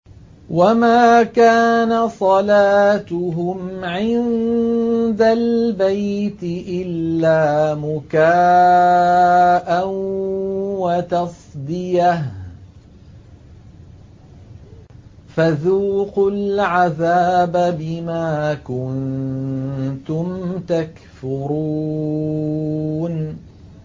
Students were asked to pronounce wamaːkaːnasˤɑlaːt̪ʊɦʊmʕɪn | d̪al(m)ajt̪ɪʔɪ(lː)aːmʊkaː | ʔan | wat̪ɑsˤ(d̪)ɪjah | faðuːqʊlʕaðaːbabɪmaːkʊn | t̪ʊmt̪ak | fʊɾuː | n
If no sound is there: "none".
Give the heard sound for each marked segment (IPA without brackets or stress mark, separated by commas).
b, lː, d̪